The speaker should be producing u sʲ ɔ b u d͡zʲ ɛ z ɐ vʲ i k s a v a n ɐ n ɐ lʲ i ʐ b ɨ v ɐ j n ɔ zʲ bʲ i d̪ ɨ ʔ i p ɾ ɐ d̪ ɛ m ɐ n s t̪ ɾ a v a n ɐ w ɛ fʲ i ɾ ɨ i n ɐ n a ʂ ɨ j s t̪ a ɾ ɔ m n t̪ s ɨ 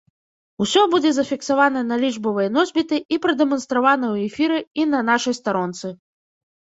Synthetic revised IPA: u sʲ ɔ b u d͡zʲ ɛ z ɐ fʲ i k s a v a n ɐ n ɐ lʲ i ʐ b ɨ v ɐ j n ɔ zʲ bʲ i t̪ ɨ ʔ i p ɾ ɐ d̪ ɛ m ɐ n s t̪ ɾ a v a n ɐ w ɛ fʲ i ɾ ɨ i n ɐ n a ʂ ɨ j s t̪ a ɾ ɔ n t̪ s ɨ